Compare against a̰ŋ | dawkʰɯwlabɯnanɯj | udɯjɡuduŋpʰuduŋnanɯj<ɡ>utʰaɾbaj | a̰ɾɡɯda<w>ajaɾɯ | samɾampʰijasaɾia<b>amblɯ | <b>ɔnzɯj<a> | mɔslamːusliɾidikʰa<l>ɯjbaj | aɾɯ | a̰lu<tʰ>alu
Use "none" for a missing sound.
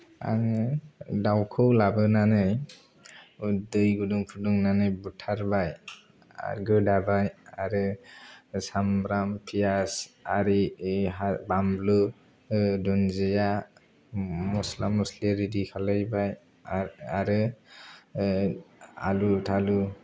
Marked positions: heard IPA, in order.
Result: b, b, b, d, a, l, tʰ

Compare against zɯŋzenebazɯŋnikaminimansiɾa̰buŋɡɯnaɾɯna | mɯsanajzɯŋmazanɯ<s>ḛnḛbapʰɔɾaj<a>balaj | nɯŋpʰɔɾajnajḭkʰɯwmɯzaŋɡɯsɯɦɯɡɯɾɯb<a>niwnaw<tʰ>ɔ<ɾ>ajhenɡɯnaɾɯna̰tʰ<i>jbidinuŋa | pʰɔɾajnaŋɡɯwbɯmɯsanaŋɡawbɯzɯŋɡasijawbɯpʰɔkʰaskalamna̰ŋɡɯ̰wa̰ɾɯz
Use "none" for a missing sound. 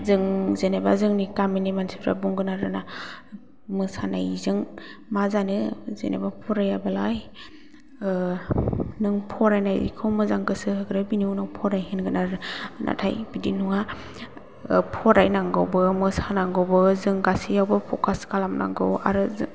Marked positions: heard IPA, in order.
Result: z, a, i, pʰ, ɾ, a

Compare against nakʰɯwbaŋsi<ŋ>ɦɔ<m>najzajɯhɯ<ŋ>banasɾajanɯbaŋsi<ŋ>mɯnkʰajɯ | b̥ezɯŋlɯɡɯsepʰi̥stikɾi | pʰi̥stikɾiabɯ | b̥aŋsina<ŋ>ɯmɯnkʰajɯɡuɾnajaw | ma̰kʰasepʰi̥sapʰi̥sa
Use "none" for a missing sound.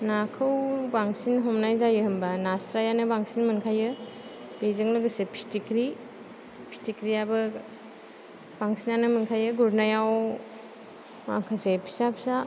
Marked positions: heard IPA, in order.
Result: n, m, m, n, n

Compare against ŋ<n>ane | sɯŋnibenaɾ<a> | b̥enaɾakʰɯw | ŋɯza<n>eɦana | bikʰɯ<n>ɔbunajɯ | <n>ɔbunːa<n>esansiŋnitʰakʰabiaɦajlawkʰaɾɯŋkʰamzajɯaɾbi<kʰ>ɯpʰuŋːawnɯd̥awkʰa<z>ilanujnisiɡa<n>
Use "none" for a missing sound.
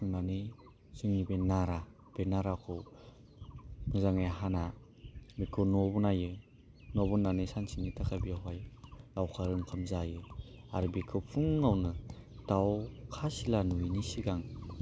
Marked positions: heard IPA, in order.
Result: n, a, ŋ, n, n, n, kʰ, s, ŋ

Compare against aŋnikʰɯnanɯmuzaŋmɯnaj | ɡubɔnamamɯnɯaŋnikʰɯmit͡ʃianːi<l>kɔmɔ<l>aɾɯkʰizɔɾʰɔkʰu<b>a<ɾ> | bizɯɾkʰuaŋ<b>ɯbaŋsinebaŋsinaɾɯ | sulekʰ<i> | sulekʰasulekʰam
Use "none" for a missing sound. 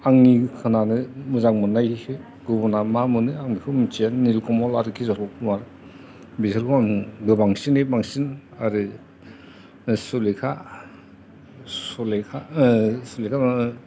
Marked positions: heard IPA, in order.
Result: l, l, m, ɾ, ɡ, a

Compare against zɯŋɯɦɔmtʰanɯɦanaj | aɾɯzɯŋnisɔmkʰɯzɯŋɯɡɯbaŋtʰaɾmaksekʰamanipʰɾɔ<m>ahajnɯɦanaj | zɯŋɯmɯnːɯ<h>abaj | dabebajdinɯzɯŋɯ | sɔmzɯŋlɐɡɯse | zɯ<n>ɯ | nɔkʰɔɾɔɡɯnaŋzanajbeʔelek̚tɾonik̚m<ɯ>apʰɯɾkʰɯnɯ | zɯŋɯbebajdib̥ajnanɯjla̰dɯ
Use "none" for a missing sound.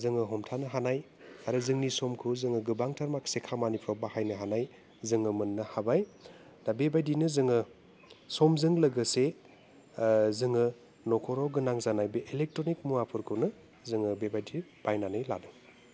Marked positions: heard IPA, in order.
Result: b, h, ŋ, u

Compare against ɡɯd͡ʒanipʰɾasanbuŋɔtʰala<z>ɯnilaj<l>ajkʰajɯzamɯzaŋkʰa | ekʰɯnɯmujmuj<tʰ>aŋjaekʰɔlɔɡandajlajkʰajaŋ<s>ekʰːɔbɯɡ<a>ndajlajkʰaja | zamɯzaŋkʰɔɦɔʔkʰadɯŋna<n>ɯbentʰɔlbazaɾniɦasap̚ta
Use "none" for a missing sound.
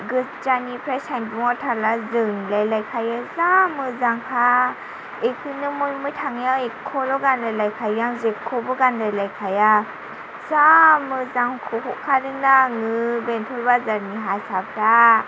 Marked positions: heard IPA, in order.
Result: z, l, tʰ, z, a, ŋ

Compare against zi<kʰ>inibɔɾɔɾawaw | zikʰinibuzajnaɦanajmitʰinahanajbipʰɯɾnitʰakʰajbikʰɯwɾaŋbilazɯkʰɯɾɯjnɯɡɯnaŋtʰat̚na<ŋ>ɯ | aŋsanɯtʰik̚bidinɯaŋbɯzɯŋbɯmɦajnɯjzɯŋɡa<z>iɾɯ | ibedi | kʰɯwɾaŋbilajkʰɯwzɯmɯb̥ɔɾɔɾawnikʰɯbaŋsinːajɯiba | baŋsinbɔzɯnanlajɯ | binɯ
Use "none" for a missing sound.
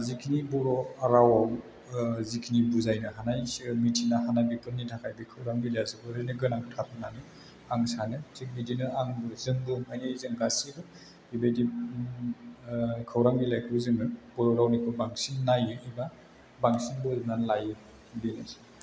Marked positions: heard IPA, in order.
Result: kʰ, n, s

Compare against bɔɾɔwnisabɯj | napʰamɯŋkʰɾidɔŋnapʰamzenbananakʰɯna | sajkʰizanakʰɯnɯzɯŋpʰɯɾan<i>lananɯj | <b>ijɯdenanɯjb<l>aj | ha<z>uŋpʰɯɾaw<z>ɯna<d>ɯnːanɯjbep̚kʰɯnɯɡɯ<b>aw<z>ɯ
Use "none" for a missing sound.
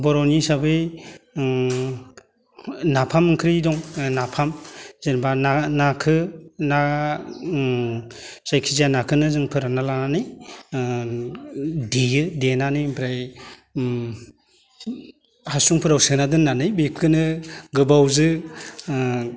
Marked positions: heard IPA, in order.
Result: a, d, ɾ, s, s, d, b, z

